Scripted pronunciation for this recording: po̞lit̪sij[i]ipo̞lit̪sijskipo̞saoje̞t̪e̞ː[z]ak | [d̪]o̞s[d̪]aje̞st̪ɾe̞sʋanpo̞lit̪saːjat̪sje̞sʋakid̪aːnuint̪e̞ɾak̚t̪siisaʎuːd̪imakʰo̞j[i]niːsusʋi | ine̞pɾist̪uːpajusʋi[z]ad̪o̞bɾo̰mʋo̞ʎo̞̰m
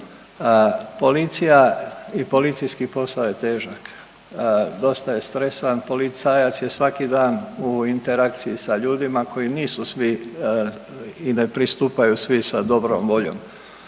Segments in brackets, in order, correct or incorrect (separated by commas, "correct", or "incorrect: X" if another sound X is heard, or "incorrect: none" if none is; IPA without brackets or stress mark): incorrect: a, incorrect: ʒ, correct, incorrect: t̪, correct, incorrect: s